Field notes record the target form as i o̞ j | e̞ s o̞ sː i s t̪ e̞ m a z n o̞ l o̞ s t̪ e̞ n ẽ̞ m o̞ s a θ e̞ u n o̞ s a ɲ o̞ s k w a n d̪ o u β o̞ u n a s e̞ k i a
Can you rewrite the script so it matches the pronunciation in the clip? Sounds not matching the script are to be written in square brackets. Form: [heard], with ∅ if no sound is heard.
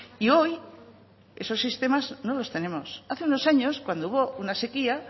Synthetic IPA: i o̞ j | e̞ s o̞ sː i s t̪ e̞ m a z n o̞ l o̞ s t̪ e̞ n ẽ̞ m o̞ s a θ e̞ u n o̞ s a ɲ o̞ s k w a n d̪ o u β o̞ u n a s e̞ k i a